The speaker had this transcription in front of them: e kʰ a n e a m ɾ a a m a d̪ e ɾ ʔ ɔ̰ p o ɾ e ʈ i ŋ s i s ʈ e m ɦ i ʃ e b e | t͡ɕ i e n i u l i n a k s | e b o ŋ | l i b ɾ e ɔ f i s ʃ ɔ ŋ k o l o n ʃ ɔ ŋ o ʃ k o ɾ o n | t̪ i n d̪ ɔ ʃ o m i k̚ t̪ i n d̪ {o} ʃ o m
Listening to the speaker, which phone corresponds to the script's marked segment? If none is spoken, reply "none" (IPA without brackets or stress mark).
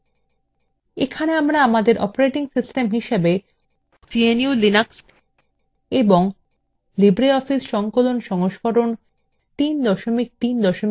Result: ɔ